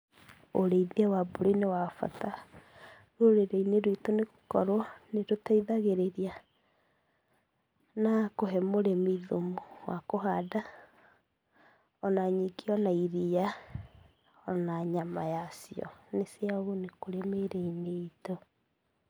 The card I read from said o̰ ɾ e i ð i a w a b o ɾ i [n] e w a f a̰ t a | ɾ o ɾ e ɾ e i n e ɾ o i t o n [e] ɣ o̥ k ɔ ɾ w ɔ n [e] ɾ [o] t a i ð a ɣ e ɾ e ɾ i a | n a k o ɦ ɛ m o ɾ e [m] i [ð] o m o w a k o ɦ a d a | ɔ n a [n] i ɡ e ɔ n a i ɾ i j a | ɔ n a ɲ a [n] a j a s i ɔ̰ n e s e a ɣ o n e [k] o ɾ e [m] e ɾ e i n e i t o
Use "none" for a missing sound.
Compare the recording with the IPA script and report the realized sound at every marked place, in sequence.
n, e, e, o, m, ð, ɲ, m, k, m

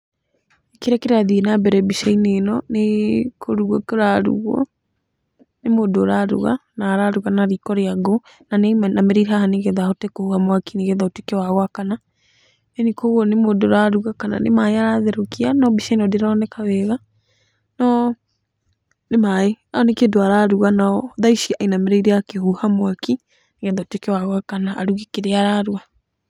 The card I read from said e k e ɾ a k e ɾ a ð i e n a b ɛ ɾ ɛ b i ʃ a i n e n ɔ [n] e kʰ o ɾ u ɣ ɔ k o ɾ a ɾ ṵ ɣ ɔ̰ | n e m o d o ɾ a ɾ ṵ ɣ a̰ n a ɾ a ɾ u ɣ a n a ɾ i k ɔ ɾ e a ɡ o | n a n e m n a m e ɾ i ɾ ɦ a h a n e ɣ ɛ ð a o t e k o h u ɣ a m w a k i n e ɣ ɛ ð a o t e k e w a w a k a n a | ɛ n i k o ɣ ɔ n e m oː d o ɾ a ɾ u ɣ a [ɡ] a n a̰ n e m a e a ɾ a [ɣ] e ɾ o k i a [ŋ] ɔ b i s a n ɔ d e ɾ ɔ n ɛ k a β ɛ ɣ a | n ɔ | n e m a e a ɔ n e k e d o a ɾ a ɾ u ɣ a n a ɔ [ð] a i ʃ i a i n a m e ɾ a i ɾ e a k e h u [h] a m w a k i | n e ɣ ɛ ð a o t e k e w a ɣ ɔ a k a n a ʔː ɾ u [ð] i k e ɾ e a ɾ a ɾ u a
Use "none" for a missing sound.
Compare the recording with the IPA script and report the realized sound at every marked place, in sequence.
n, k, ð, n, ð, h, ɣ

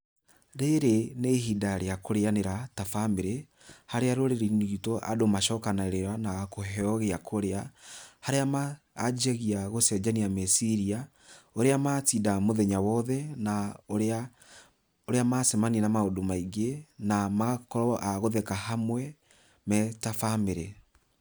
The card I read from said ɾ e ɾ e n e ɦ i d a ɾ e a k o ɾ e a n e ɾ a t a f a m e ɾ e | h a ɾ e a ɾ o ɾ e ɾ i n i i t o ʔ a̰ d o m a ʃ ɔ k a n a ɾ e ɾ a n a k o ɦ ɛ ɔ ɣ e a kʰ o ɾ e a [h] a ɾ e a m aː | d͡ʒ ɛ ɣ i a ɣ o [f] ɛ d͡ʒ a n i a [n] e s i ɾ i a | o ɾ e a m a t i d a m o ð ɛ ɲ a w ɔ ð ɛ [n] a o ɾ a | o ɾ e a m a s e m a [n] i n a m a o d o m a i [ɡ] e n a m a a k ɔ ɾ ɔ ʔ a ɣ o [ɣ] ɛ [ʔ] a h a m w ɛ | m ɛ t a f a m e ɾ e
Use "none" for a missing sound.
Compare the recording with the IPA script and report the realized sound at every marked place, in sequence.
h, s, m, n, n, ɡ, ð, k

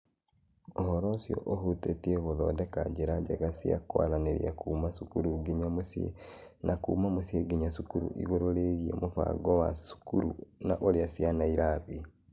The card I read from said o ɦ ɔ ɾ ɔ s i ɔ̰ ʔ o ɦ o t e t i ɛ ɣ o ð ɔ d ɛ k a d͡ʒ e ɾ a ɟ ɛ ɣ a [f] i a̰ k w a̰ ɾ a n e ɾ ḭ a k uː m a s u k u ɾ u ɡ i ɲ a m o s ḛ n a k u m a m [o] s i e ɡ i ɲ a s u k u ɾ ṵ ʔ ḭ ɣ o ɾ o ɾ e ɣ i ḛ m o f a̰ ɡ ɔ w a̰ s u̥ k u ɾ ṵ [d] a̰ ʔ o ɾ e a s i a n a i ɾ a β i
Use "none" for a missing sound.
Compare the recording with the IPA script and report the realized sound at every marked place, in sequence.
s, o, n

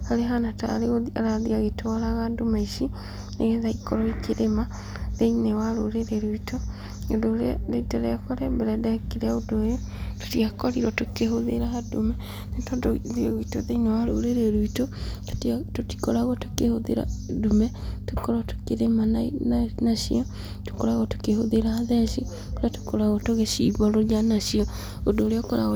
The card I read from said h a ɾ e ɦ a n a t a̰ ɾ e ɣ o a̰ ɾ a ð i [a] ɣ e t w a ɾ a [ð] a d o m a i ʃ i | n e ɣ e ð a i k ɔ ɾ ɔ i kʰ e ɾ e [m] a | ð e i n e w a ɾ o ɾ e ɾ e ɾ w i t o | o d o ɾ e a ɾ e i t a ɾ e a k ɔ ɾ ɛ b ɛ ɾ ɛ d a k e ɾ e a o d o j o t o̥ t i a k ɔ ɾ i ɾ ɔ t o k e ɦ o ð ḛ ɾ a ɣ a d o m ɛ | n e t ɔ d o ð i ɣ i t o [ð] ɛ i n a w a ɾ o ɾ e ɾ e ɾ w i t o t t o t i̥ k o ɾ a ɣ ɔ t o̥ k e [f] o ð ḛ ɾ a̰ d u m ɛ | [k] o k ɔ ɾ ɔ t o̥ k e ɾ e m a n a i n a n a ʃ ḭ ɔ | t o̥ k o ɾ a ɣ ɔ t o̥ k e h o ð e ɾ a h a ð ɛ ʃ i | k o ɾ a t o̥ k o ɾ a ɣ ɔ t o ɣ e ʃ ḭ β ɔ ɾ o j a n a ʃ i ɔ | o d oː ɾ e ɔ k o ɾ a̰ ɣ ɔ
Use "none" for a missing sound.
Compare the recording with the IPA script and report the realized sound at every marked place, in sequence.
a, ɣ, m, ð, h, t

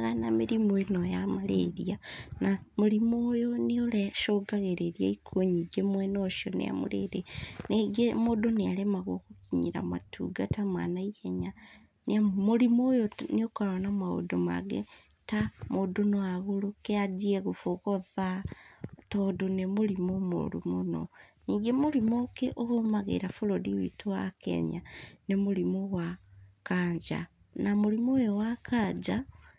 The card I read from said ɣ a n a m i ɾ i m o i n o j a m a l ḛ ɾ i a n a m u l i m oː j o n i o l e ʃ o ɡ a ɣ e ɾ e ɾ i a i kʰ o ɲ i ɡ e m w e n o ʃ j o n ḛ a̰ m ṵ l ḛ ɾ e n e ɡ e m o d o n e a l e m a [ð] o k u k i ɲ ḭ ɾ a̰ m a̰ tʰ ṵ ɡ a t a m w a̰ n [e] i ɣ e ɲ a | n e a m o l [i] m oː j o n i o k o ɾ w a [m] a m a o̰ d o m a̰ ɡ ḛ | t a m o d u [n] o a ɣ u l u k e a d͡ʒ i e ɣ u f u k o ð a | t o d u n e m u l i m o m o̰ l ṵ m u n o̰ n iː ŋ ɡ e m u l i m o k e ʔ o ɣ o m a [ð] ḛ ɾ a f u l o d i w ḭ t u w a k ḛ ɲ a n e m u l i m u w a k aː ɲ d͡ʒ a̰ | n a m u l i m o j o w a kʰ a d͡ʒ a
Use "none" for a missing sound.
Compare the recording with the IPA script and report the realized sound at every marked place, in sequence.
ɣ, a, i, n, n, ɣ

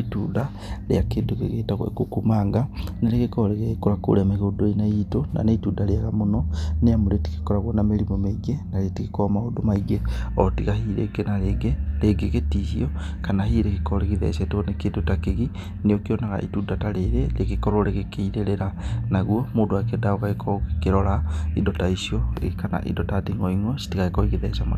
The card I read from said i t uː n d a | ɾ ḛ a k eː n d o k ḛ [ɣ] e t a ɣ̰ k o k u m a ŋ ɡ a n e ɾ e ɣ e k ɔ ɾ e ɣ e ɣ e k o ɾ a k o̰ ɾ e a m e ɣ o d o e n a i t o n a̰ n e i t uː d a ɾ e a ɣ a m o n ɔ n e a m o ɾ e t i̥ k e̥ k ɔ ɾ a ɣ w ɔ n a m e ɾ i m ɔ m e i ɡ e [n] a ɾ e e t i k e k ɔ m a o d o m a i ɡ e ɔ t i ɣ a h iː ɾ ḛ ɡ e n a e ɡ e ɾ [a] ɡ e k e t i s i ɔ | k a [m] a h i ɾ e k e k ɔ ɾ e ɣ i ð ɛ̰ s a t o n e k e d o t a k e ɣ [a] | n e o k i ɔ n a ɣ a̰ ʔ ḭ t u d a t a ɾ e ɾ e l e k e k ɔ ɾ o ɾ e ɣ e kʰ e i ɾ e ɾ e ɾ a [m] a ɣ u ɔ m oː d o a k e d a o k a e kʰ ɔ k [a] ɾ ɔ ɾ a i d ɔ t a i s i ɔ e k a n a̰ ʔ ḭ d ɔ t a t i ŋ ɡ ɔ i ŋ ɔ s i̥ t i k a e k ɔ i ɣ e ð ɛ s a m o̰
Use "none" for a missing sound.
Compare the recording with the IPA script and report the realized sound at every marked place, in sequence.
ɣ, n, e, n, i, n, e

